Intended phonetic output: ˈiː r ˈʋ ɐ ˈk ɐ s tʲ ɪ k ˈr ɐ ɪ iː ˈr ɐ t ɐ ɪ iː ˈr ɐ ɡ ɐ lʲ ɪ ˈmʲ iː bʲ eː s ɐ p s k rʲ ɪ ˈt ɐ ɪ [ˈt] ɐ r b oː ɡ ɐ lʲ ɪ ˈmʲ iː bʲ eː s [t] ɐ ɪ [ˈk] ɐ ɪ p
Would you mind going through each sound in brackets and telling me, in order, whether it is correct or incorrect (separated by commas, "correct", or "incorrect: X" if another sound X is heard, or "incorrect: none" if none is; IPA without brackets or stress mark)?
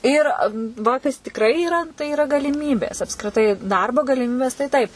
incorrect: d, correct, incorrect: t